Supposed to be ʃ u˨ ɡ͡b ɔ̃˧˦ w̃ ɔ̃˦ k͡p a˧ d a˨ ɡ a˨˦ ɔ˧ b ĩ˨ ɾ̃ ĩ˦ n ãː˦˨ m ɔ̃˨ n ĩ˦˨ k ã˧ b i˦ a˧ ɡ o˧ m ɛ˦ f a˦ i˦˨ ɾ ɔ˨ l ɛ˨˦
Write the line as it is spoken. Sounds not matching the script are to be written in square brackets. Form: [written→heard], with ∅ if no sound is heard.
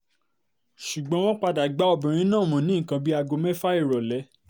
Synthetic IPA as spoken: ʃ u˨ ɡ͡b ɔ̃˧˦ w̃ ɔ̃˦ k͡p a˧ d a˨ [ɡ→ɡ͡b] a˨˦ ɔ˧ b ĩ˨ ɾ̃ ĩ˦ n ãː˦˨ m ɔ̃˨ n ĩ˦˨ k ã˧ b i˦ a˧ ɡ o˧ m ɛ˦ f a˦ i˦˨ ɾ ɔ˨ l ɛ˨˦